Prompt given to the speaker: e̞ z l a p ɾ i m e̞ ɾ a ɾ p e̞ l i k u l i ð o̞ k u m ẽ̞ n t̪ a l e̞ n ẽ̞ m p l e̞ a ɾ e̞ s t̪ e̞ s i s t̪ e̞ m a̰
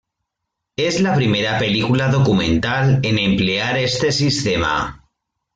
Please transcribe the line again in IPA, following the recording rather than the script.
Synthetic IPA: e̞ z l a p ɾ i m e̞ ɾ a p e̞ l i k u l a ð o̞ k u m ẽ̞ n t̪ a l e̞ n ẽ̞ m p l e̞ a ɾ e̞ s t̪ e̞ s i s t̪ e̞ m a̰